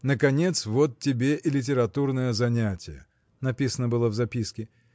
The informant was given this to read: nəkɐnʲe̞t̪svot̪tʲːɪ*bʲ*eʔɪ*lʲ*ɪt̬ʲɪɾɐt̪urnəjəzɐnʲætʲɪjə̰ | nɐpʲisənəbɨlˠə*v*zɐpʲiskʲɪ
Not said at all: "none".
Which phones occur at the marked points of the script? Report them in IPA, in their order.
bʲ, lʲ, v

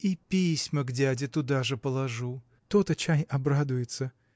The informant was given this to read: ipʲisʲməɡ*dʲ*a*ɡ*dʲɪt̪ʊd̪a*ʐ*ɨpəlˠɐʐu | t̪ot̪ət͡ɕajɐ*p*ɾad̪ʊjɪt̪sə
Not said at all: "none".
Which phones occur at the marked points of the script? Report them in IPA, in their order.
dʲ, none, ʐ, b

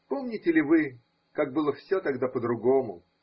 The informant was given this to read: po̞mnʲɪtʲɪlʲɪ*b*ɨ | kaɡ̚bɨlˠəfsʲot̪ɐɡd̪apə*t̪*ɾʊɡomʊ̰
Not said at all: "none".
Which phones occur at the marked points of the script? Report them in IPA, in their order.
v, d̪

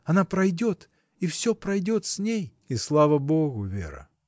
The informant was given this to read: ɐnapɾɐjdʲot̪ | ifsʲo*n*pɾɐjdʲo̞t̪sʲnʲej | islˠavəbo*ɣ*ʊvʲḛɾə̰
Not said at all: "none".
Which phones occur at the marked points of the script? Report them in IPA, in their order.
none, ɣ

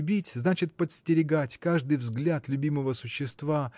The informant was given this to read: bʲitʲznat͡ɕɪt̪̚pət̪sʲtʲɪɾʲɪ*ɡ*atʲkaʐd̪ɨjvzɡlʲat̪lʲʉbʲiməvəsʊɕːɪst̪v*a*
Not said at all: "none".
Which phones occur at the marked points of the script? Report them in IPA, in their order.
ɡ, a

